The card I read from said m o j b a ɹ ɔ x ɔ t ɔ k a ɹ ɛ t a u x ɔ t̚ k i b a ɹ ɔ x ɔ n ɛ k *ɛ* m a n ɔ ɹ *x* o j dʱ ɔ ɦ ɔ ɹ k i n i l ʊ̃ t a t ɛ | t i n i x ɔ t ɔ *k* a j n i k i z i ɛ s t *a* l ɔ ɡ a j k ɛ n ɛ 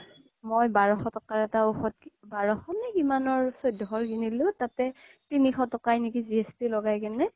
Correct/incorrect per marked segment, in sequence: incorrect, incorrect, correct, incorrect

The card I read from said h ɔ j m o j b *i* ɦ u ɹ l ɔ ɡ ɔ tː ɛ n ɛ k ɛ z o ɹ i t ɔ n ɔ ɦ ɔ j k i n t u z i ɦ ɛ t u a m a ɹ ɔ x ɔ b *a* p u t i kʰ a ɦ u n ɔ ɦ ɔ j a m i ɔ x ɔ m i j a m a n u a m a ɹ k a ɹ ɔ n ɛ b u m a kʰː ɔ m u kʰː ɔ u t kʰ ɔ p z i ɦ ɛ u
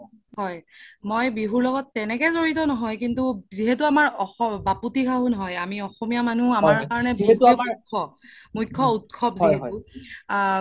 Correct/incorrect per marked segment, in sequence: correct, correct

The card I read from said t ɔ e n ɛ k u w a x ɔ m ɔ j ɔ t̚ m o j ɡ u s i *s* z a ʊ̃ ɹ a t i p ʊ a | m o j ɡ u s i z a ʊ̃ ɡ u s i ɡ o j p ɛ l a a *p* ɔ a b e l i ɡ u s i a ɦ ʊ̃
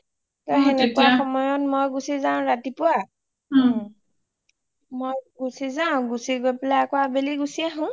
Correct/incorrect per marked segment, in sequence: incorrect, incorrect

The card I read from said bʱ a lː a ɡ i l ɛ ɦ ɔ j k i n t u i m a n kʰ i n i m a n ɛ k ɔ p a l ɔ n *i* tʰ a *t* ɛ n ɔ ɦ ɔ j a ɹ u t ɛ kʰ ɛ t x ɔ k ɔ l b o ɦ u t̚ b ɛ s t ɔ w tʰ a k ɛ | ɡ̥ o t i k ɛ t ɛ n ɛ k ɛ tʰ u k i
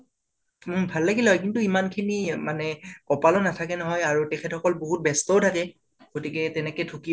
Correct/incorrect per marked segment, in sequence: incorrect, incorrect

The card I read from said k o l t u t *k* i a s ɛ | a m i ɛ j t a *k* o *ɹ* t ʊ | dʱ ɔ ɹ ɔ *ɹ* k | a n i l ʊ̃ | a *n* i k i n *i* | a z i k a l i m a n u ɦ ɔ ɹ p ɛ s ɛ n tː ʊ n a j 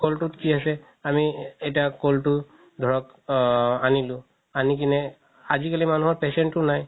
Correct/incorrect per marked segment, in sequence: correct, correct, incorrect, incorrect, correct, incorrect

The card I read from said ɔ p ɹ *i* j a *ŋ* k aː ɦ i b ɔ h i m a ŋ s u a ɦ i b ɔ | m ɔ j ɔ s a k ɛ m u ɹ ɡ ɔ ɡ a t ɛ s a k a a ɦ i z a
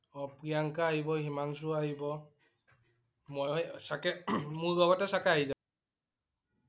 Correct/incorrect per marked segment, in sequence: correct, correct

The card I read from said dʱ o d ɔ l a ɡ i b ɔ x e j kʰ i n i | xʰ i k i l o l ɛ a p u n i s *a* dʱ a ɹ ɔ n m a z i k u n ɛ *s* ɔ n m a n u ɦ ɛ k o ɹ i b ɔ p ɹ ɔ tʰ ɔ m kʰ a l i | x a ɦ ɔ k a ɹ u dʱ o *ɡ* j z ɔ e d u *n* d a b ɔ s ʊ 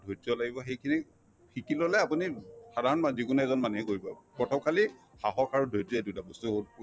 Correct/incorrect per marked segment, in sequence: correct, incorrect, incorrect, incorrect

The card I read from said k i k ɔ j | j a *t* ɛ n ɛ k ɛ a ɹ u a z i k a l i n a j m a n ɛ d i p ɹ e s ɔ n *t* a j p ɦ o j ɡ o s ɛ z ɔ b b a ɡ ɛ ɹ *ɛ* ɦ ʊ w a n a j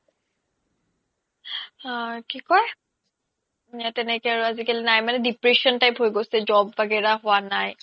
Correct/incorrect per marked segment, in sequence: correct, correct, incorrect

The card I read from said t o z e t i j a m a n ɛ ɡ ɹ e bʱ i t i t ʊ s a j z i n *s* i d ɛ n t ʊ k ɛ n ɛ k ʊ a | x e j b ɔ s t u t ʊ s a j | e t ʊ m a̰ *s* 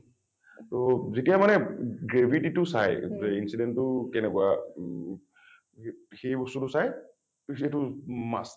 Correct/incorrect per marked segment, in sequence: correct, correct

